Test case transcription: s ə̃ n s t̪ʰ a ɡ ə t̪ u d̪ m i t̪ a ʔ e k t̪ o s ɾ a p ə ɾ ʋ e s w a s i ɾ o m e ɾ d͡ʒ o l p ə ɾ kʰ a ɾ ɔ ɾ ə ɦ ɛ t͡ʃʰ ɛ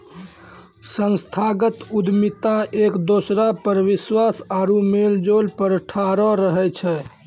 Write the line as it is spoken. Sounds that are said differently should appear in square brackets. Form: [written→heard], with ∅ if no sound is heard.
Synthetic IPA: s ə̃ n s t̪ʰ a ɡ ə t̪ u d̪ m i t̪ a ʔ e k [t̪→d̪] o s ɾ a p ə ɾ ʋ [e→i] s w a s [i→a] ɾ [o→u] m e [ɾ→l] d͡ʒ o l p ə ɾ [kʰ→ʈʰ] a ɾ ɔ ɾ ə ɦ ɛ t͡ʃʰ ɛ